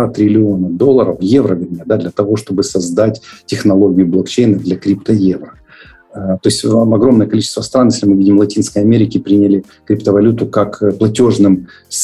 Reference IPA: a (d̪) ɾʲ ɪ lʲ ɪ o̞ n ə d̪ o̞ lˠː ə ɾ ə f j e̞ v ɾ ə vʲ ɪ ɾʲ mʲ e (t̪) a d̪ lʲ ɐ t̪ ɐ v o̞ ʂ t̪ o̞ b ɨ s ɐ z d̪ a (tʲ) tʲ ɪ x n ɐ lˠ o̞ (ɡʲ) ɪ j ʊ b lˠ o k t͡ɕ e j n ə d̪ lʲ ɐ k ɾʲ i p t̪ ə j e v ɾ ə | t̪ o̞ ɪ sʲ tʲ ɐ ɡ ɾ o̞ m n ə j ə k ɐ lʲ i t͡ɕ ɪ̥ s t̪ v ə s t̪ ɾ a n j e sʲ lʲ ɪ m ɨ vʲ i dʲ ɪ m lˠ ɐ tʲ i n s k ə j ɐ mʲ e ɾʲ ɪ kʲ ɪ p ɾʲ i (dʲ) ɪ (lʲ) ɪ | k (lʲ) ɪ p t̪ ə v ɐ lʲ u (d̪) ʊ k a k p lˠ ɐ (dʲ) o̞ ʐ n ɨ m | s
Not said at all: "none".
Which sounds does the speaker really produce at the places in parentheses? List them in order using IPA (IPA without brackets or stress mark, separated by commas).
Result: t̪, d̪, tʲ, ɡʲ, nʲ, lʲ, ɾʲ, t̪, tʲ